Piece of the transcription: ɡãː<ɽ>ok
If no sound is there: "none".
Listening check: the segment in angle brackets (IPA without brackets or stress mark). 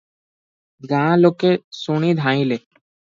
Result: l